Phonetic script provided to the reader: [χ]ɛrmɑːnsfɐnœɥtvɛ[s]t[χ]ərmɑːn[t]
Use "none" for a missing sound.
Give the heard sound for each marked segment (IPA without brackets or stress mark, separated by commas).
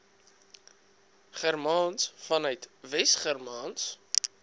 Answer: χ, s, χ, s